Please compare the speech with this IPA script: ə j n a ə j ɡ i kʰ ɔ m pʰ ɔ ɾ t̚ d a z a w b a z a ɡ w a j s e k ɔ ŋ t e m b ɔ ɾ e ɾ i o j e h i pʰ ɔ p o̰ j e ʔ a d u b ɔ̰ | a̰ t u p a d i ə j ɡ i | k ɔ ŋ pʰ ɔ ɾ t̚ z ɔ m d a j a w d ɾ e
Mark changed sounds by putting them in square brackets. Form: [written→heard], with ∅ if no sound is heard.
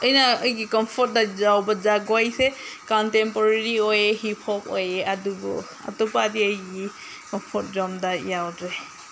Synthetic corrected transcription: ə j n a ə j ɡ i [kʰ→k] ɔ m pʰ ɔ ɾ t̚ d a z a w b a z a ɡ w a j s e k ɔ [ŋ→n] t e m [b→p] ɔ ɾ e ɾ i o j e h i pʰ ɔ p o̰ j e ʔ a d u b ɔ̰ | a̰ t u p a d i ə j ɡ i | k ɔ [ŋ→m] pʰ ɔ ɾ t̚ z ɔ m d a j a w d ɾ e